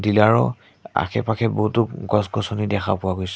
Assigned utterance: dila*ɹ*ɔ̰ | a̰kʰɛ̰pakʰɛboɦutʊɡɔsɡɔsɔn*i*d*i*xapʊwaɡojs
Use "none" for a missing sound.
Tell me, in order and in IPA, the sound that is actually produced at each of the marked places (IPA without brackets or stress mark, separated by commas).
ɹ, i, ɛ